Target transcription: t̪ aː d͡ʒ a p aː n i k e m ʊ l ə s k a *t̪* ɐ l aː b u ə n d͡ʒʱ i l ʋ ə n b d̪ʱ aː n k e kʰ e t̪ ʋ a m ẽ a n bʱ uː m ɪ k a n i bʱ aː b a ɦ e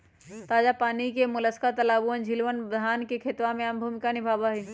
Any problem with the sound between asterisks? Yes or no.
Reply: no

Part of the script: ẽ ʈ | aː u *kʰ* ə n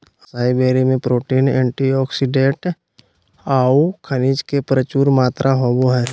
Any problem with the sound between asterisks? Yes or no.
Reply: no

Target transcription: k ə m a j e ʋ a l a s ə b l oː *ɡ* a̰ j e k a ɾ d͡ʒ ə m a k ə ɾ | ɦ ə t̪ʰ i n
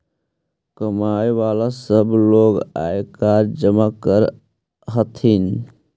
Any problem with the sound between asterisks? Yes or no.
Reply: no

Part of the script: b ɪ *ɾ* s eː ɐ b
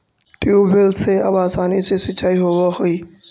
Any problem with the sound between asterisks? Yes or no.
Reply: yes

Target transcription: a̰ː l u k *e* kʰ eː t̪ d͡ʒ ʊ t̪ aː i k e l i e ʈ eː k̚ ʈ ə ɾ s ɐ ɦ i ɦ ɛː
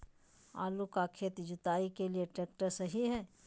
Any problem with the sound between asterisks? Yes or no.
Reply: yes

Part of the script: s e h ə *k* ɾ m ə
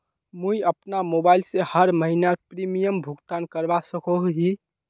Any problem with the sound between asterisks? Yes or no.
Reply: yes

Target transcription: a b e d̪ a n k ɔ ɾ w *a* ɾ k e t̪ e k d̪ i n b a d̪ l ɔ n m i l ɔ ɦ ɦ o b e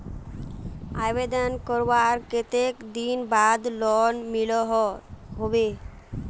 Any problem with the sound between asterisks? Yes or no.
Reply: no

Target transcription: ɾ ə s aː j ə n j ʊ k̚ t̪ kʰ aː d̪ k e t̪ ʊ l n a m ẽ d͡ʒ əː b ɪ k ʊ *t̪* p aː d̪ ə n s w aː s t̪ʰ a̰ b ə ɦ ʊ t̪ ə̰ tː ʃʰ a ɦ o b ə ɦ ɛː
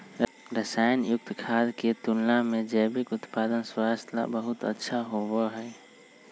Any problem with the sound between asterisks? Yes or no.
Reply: no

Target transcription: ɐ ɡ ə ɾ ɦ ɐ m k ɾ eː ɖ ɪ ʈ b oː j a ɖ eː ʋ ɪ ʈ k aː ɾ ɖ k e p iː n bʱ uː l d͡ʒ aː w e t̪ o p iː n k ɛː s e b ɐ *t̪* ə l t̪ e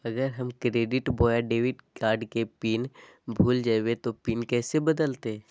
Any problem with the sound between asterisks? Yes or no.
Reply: yes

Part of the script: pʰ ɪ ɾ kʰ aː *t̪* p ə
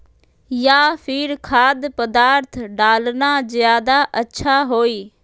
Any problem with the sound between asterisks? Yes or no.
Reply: yes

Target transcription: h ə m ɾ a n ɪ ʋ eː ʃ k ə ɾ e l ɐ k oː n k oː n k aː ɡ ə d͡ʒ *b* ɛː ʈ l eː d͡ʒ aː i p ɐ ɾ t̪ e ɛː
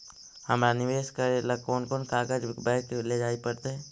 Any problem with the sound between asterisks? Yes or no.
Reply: no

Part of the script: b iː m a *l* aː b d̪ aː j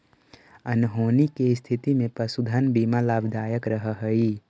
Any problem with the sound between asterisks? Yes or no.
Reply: no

